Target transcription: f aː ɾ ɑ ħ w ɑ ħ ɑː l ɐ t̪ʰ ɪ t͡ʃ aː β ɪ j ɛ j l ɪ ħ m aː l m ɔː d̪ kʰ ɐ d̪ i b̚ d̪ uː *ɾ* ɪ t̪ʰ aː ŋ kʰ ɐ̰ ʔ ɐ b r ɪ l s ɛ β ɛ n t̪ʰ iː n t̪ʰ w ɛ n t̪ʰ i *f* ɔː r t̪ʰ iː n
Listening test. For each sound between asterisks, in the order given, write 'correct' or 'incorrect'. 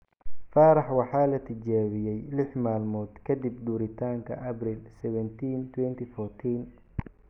correct, correct

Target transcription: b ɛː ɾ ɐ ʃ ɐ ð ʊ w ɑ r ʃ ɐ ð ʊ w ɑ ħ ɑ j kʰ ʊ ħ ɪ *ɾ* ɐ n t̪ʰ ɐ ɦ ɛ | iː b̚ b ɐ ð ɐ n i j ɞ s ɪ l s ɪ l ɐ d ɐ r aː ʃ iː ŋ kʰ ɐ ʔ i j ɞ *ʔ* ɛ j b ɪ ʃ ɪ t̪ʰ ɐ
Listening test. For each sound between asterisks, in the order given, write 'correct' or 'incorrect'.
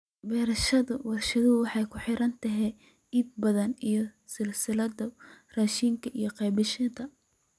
correct, incorrect: q

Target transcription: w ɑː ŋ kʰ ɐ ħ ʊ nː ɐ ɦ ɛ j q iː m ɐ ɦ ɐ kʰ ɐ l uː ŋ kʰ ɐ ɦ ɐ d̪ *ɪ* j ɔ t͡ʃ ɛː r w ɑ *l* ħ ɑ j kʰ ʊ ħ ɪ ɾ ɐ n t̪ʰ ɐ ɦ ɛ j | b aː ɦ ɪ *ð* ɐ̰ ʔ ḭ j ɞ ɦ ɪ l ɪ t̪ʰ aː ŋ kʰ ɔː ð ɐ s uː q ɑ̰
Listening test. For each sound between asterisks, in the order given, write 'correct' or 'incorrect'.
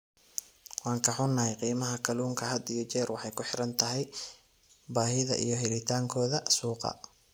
incorrect: i, incorrect: none, correct

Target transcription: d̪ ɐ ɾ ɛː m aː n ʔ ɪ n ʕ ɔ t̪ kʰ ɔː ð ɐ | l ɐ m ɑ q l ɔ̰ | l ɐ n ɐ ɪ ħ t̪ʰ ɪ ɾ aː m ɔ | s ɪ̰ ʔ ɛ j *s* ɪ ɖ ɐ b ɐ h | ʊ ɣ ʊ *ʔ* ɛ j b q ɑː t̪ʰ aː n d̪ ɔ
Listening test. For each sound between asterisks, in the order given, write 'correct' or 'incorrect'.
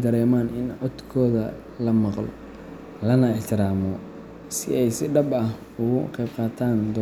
correct, incorrect: q

